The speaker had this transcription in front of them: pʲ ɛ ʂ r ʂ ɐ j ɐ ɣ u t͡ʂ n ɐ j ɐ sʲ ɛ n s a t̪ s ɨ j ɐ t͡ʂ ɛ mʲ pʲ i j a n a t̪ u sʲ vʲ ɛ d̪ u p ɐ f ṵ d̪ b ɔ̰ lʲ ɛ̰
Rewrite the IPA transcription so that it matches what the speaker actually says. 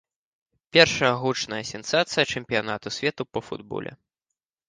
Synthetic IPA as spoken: pʲ ɛ r ʂ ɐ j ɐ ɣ u t͡ʂ n ɐ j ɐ sʲ ɛ n s a t̪ s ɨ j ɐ t͡ʂ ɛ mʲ pʲ i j a n a t̪ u sʲ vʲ ɛ t̪ u p ɐ f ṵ d̪ b ɔ̰ lʲ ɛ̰